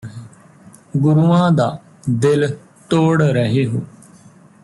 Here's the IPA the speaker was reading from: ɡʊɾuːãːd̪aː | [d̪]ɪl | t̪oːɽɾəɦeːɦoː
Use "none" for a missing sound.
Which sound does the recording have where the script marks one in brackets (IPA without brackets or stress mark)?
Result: d̪